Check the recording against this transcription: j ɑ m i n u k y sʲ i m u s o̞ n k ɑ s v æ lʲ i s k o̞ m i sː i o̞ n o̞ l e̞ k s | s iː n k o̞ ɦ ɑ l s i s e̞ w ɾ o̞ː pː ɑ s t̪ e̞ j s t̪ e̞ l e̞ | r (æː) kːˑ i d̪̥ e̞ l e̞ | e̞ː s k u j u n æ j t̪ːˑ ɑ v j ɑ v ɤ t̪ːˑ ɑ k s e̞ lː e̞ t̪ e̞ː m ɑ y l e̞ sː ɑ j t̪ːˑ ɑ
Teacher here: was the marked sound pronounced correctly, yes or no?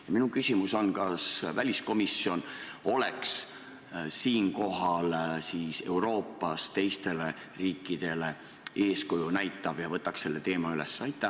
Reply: no